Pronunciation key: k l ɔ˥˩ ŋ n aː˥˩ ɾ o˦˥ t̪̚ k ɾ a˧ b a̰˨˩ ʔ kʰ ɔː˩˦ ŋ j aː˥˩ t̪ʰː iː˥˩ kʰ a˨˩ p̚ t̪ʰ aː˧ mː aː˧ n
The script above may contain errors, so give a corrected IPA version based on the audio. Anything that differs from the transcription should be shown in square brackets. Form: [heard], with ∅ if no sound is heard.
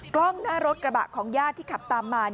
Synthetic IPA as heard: k l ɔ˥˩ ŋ n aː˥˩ ɾ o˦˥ t̪̚ k ɾ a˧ b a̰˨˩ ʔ kʰ ɔː˩˦ ŋ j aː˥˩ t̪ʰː iː˥˩ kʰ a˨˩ p̚ [t̪] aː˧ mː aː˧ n